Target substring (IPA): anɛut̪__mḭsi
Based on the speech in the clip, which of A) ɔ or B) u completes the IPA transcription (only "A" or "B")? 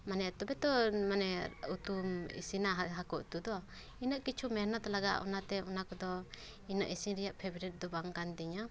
B